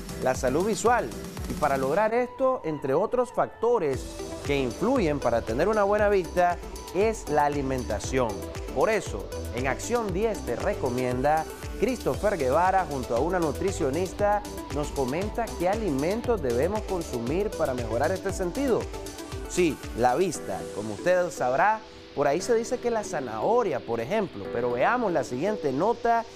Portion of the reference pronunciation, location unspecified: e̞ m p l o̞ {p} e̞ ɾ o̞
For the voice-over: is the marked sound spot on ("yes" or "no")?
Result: yes